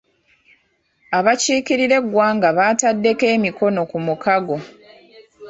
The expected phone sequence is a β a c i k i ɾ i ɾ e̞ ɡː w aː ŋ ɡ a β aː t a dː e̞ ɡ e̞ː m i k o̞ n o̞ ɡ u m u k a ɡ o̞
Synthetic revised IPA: a β a c iː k i ɾ i ɾ e̞ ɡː w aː ŋ ɡ a β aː t a dː e̞ k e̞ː m i k o̞ n o̞ k u m u k a ɡ o̞